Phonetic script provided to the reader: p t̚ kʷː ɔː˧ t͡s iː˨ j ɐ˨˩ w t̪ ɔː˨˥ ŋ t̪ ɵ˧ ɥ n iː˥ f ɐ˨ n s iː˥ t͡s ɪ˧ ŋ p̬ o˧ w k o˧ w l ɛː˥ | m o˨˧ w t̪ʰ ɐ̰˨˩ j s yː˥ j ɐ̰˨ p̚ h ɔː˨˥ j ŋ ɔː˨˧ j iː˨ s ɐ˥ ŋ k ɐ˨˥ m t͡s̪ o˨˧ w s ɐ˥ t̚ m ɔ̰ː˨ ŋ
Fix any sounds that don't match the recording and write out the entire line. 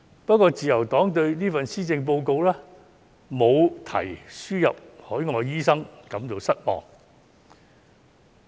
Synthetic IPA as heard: p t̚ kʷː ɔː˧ t͡s iː˨ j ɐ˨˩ w t̪ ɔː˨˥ ŋ t̪ ɵ˧ ɥ n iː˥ f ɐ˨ n s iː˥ t͡s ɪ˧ ŋ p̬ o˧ w k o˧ w l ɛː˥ | m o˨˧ w t̪ʰ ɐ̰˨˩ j s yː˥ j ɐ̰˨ p̚ h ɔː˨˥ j ŋ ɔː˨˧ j iː˥ s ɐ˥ ŋ k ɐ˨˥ m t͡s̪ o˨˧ w s ɐ˥ t̚ m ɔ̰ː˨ ŋ